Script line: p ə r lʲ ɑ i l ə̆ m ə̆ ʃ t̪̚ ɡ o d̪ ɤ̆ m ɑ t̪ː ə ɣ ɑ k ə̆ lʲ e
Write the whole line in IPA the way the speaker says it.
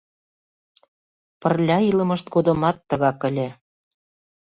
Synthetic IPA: p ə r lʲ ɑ i l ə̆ m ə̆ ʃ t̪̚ ɡ o d̪ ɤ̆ m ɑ t̪ː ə ɣ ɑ k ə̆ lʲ e